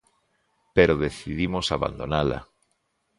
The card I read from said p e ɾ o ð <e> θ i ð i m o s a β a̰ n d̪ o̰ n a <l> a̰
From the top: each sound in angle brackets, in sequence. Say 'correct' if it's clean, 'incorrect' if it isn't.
correct, correct

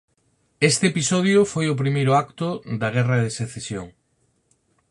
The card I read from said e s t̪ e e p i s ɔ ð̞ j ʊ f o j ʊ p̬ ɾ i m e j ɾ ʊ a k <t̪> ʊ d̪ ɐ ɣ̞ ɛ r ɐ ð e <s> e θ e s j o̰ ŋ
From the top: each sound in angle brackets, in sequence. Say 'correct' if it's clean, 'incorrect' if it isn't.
correct, correct

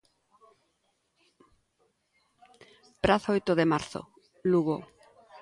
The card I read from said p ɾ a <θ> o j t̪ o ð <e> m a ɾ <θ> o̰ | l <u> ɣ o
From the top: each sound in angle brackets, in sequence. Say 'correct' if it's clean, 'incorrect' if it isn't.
correct, correct, correct, correct

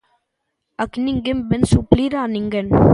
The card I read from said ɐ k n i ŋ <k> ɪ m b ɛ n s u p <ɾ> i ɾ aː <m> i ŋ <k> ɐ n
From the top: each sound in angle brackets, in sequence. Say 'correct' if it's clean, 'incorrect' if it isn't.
incorrect: ɡ, incorrect: l, incorrect: n, incorrect: ɡ

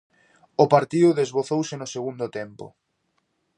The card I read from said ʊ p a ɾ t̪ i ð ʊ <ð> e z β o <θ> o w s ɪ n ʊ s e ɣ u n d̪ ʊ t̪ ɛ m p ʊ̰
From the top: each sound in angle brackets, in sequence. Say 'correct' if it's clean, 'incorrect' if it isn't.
correct, correct

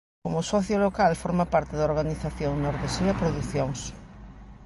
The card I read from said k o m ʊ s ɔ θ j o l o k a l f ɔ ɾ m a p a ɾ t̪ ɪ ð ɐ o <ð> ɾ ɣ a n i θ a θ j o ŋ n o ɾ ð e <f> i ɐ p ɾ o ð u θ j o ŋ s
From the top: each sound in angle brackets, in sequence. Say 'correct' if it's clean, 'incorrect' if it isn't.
incorrect: none, incorrect: s

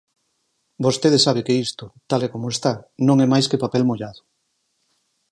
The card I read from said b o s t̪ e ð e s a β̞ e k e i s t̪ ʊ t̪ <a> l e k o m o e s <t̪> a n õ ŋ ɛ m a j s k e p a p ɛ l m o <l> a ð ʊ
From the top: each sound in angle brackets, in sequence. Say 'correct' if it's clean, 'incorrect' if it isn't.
correct, correct, incorrect: ʎ

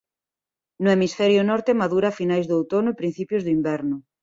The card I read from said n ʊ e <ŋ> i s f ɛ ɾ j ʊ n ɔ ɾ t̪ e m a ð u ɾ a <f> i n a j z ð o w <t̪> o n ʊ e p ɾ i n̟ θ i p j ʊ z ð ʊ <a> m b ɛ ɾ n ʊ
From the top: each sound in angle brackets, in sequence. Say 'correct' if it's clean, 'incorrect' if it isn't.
incorrect: m, correct, correct, incorrect: i

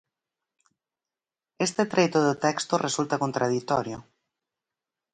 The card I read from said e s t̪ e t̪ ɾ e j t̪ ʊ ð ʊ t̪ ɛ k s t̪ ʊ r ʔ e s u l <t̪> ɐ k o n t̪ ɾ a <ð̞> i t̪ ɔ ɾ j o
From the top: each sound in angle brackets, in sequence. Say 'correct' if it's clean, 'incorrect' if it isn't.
correct, correct

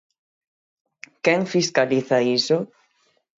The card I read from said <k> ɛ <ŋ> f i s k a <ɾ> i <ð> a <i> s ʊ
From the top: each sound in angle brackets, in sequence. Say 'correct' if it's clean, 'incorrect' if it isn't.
correct, correct, incorrect: l, incorrect: θ, correct

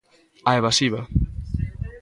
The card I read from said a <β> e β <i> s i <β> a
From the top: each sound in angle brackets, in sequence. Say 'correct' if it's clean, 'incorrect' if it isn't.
incorrect: none, incorrect: a, correct

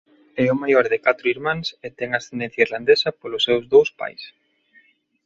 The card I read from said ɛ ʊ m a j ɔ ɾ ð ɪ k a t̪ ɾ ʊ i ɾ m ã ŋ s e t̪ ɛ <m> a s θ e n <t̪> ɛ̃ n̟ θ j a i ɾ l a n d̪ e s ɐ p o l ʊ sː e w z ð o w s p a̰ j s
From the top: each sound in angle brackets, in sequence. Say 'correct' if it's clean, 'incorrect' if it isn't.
incorrect: ŋ, incorrect: d̪

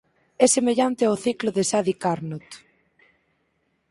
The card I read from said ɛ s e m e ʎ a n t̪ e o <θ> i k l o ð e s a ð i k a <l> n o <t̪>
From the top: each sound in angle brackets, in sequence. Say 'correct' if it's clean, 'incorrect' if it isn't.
correct, incorrect: ɾ, correct

